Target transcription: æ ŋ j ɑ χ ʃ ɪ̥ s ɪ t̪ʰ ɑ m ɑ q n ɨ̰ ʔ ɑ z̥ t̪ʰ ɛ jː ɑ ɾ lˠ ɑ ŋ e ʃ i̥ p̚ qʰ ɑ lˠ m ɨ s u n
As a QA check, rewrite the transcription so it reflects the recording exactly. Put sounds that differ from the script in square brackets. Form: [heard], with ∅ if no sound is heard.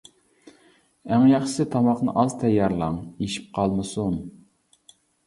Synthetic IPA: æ ŋ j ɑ χ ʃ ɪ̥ s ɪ t̪ʰ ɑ m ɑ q n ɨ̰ ʔ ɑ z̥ t̪ʰ ɛ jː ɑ ɾ lˠ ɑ ŋ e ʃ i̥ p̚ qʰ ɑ lˠ m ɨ s u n